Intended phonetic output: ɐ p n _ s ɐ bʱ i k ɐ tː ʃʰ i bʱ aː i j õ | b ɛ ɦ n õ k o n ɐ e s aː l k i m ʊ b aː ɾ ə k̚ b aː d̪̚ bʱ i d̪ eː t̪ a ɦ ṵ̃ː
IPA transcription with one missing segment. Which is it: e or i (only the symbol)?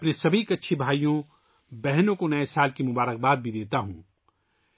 e